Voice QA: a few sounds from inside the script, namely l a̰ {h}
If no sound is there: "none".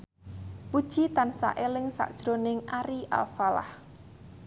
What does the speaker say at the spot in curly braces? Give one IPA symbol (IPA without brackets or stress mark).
h